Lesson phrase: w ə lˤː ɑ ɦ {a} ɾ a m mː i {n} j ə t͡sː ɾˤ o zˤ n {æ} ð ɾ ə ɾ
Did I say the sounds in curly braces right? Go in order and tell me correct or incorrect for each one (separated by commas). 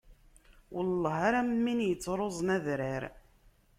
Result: correct, correct, correct